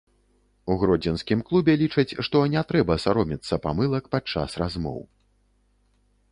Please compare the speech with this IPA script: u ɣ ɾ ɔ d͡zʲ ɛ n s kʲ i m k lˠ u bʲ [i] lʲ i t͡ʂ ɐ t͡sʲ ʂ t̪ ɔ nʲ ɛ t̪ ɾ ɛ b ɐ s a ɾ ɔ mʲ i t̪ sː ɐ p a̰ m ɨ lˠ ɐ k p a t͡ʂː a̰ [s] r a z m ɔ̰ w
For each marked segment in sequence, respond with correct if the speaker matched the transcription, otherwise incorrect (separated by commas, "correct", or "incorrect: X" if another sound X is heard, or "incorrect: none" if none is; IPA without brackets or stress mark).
incorrect: ɛ, correct